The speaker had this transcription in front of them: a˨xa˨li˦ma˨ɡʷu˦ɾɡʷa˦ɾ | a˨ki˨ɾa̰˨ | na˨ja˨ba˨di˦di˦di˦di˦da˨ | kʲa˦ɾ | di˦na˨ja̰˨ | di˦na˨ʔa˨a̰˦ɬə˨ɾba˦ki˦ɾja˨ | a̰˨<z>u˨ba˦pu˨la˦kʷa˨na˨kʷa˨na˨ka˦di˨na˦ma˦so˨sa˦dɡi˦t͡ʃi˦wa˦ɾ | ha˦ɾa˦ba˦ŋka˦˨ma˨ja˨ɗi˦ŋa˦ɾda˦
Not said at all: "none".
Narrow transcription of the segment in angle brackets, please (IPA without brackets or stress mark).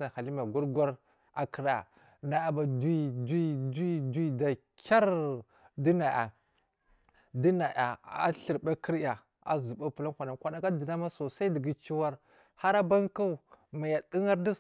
z